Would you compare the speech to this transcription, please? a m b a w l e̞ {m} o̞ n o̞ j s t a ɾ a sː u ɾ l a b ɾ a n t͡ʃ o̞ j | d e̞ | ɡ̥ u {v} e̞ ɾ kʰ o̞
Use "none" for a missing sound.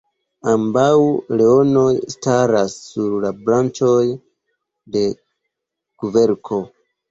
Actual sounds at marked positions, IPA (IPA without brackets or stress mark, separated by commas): none, v